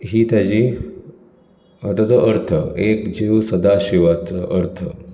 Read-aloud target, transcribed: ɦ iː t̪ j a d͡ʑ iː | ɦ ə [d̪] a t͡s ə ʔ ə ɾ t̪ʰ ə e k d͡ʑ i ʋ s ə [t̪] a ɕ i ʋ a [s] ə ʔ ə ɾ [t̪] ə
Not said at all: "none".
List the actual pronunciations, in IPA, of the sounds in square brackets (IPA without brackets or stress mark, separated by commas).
t̪, d̪, t͡s, t̪ʰ